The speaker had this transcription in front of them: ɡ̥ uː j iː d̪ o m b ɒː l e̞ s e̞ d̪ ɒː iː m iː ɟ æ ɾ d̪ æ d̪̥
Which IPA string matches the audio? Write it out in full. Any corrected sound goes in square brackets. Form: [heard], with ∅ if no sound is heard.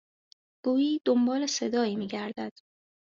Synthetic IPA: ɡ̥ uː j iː d̪ o m b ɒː l e̞ s e̞ d̪ ɒː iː m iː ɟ æ ɾ d̪ æ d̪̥